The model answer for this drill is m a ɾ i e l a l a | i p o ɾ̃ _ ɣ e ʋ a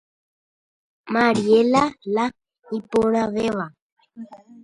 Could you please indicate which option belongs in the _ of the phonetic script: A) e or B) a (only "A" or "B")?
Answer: B